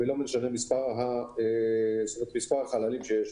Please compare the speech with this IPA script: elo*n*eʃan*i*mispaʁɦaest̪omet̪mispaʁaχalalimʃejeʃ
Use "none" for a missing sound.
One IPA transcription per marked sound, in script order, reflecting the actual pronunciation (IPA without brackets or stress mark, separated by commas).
m, e